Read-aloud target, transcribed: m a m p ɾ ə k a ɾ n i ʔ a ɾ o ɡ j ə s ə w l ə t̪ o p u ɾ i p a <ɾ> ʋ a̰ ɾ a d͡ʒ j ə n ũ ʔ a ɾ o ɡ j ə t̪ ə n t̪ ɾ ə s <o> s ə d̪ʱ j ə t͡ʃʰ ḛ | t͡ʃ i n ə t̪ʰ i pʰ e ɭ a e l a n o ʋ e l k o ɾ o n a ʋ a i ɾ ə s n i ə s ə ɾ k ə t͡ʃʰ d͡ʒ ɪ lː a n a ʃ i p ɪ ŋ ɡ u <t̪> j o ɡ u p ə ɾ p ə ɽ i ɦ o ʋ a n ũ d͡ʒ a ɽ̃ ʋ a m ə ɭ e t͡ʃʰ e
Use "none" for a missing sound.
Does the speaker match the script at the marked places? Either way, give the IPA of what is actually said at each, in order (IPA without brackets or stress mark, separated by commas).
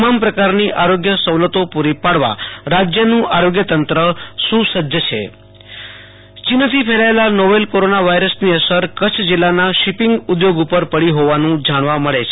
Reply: ɽ, u, d̪